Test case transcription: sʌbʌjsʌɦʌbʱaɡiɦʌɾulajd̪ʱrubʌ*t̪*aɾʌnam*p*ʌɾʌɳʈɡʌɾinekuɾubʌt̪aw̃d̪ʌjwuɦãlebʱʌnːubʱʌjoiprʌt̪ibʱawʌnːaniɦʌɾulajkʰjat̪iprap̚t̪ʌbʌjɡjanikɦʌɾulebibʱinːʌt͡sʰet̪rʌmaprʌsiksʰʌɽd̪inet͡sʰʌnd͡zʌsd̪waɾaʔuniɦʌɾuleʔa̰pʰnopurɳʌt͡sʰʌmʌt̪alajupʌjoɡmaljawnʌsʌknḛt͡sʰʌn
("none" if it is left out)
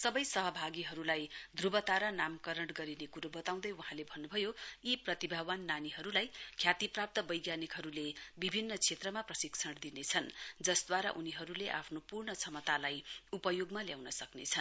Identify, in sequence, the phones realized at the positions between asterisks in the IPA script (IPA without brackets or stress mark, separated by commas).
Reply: t̪, k